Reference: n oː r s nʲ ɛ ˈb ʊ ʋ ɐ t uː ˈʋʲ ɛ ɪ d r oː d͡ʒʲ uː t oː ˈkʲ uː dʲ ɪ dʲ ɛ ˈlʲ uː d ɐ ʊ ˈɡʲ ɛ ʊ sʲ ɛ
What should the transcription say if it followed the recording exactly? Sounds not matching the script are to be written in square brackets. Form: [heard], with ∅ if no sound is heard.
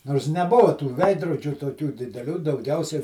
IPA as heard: n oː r s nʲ ɛ ˈb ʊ ʋ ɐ t uː ˈʋʲ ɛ ɪ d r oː d͡ʒʲ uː t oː ˈkʲ uː dʲ ɪ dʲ ɛ ˈlʲ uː d ɐ ʊ ˈɡʲ ɛ ʊ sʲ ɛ